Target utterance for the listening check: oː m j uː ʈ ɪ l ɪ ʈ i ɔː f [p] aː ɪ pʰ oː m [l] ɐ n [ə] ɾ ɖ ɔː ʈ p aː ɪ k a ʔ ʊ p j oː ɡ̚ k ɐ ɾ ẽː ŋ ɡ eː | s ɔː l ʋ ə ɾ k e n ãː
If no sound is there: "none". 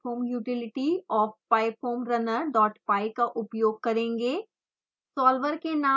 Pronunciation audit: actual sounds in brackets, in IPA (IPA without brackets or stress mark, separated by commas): p, ɾ, ə